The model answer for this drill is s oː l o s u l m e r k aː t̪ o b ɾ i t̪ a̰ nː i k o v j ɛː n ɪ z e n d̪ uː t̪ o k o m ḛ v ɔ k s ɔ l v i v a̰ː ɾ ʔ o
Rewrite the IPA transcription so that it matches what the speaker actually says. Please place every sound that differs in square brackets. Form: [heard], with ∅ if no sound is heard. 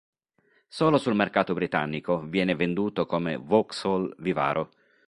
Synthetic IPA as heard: s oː l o s u l m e r k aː t̪ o b ɾ i t̪ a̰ nː i k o v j ɛː n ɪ [v] e n d̪ uː t̪ o k o m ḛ v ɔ k s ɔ l v i v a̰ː ɾ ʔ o